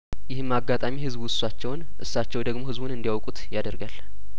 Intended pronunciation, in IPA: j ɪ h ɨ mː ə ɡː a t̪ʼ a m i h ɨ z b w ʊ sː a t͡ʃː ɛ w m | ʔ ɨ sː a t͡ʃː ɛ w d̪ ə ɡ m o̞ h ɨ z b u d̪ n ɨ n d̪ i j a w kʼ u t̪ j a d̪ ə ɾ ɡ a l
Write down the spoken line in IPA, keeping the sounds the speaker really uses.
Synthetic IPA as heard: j ɪ h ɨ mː a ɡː a t̪ʼ a m i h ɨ z b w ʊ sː a t͡ʃː ɛ w n | ʔ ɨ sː a t͡ʃː ɛ w d̪ ə ɡ m o̞ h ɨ z b u n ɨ n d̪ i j a w kʼ u t̪ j a d̪ ə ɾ ɡ a l